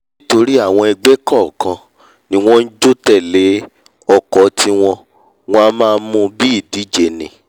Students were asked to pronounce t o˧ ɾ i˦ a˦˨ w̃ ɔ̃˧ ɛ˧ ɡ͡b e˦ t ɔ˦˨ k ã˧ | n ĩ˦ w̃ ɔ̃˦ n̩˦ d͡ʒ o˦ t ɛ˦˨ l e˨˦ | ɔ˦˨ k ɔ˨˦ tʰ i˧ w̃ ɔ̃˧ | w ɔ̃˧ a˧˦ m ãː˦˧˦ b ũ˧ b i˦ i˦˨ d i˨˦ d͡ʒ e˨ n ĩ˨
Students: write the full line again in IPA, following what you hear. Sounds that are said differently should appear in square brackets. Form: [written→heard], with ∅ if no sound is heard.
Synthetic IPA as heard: t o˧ ɾ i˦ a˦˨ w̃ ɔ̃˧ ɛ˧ ɡ͡b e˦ [t→k] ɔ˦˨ k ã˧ | n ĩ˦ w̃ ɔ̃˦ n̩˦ d͡ʒ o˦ t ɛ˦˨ l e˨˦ | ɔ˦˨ k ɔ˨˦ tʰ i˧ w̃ ɔ̃˧ | w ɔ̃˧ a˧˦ m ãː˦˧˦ [b→m] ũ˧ b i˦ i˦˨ d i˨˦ d͡ʒ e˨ n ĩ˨

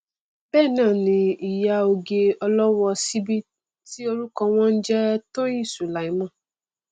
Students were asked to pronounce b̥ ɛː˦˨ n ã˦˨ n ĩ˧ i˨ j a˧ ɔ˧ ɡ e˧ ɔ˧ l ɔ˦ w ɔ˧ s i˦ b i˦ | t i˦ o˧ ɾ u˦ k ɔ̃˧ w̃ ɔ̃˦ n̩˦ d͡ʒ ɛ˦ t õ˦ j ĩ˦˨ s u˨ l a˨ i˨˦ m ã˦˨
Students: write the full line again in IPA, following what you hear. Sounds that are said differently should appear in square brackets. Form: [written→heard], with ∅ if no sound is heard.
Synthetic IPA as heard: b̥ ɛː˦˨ n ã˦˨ n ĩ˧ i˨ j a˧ [ɔ˧→o˧] ɡ e˧ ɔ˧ l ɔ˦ w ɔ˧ s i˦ b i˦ | t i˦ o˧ ɾ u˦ k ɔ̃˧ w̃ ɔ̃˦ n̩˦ d͡ʒ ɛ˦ t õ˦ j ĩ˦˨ s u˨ l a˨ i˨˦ m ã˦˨

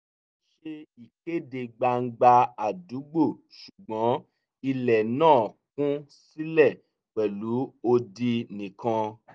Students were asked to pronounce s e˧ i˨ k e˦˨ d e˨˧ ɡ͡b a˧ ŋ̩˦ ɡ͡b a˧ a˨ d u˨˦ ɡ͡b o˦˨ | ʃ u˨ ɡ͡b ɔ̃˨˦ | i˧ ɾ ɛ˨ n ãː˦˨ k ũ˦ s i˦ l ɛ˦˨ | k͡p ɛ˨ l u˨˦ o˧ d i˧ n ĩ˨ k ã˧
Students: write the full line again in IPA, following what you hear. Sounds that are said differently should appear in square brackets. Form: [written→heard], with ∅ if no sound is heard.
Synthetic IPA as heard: [s→ʃ] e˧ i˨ k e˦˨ d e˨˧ ɡ͡b a˧ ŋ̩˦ ɡ͡b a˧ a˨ d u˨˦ ɡ͡b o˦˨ | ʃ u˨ ɡ͡b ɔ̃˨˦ | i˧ [ɾ→l] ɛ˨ n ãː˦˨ k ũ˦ s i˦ l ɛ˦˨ | k͡p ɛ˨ l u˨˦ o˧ d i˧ n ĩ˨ k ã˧

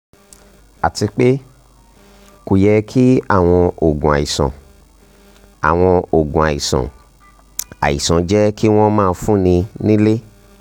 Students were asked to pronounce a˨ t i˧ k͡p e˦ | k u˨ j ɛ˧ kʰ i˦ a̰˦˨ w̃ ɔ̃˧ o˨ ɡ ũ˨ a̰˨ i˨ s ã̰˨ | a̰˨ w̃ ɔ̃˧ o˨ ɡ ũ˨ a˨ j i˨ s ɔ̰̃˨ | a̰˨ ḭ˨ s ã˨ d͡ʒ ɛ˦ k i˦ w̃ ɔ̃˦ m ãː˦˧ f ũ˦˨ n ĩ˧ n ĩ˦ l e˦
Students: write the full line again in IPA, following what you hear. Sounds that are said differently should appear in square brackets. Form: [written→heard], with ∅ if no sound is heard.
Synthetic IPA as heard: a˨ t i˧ k͡p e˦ | k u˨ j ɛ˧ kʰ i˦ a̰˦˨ w̃ ɔ̃˧ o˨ ɡ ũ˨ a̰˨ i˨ s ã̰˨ | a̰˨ w̃ ɔ̃˧ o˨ ɡ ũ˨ a˨ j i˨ s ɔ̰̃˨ | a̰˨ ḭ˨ s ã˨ d͡ʒ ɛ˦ k i˦ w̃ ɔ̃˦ m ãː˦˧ f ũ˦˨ n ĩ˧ n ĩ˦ l e˦

